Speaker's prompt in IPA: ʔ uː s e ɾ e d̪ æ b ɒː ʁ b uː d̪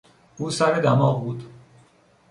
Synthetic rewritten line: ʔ uː s æ ɾ e d̪ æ m ɒː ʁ b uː d̪